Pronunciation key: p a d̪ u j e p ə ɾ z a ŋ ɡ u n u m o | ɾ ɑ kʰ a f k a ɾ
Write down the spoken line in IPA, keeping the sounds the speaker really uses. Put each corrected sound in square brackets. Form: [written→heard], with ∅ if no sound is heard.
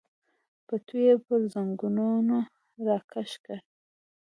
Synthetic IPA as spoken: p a [d̪→t̪] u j e p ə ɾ z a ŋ ɡ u n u [m→n] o | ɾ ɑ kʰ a [f→ʃ] k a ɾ

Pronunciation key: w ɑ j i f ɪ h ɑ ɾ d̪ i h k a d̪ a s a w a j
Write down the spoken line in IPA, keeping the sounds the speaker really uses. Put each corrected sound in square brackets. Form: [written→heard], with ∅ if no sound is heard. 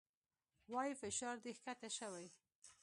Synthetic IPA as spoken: w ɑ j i f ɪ [h→ʃ] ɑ ɾ d̪ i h k a [d̪→t̪] a [s→ʃ] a w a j

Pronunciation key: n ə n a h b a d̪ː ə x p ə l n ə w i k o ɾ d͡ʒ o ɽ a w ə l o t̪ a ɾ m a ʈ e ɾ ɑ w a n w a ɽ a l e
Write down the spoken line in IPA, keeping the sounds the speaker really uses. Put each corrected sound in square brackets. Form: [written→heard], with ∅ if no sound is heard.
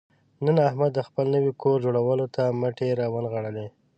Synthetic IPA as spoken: n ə n a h [b→m] a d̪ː ə x p ə l n ə w i k o ɾ d͡ʒ o ɽ a w ə l o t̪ a [ɾ→∅] m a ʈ e ɾ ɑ w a n [w→ɣ] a ɽ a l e

